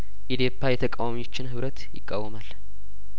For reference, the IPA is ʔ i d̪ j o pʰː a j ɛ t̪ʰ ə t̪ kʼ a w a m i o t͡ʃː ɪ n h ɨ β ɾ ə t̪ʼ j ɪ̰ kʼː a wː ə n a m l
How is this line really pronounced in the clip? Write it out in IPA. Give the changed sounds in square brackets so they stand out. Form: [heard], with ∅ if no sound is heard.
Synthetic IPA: ʔ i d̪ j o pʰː a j ɛ t̪ʰ ə [∅] kʼ a w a m i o t͡ʃː ɪ n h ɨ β ɾ ə [t̪] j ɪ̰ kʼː a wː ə [m] a [∅] l